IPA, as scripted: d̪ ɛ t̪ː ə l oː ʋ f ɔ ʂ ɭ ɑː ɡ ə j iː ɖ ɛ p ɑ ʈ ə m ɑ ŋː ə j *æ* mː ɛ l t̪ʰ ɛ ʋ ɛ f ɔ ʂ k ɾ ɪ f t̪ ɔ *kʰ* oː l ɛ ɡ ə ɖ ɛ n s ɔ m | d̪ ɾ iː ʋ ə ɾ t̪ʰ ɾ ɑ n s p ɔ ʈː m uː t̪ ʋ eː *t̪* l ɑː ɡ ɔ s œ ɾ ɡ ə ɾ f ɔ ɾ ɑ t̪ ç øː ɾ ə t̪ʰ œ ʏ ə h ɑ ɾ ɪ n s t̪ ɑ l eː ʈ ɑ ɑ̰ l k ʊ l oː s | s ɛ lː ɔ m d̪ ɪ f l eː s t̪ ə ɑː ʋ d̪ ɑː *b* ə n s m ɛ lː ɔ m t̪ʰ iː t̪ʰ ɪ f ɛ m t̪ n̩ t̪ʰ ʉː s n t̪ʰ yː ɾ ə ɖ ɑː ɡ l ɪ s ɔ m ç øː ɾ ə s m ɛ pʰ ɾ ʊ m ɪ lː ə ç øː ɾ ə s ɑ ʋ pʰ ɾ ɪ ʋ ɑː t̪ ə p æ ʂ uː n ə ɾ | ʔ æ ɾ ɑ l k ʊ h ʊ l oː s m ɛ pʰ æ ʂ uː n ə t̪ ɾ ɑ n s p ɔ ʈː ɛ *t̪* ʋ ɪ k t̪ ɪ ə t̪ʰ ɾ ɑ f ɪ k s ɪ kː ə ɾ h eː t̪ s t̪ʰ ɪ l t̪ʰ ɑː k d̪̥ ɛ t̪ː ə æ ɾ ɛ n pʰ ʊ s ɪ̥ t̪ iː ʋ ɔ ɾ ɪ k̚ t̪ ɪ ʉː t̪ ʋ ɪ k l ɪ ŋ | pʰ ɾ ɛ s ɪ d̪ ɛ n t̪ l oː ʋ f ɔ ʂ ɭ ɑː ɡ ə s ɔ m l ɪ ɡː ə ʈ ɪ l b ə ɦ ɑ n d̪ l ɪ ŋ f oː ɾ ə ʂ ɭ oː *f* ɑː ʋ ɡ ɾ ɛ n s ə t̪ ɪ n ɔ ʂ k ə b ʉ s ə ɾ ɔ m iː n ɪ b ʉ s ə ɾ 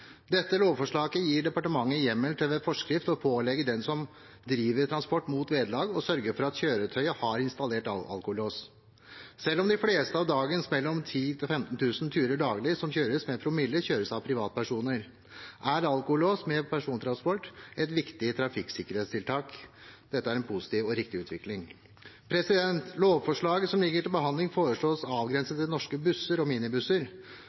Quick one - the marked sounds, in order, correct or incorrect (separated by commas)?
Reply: incorrect, incorrect, incorrect, incorrect, correct, incorrect